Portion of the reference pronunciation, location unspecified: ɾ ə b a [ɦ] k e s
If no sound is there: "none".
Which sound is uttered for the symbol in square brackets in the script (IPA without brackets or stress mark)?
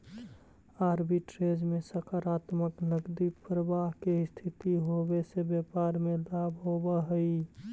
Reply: ɦ